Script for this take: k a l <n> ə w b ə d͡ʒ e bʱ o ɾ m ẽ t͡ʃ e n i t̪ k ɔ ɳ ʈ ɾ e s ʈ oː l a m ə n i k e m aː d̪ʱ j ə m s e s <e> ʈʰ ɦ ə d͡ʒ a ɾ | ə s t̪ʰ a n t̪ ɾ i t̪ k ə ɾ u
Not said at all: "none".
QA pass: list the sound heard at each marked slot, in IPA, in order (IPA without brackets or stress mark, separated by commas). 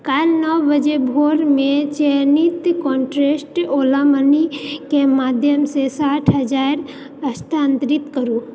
n, a